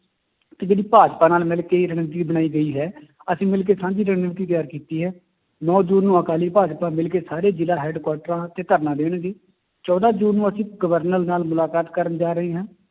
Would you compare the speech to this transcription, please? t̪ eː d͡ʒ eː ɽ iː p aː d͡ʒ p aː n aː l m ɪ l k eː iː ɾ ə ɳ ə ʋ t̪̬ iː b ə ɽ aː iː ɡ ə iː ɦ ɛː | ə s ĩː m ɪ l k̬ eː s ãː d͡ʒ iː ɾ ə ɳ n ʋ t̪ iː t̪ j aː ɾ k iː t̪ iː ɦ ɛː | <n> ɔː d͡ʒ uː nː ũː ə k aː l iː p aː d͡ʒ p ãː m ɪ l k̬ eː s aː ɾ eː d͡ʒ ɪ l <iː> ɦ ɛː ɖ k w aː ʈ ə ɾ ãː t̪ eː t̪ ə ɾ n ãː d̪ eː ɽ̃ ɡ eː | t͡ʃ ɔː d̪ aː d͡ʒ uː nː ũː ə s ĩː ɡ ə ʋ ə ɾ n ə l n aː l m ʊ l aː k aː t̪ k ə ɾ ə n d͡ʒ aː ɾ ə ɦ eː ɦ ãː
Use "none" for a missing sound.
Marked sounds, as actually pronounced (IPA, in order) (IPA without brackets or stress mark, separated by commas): n, aː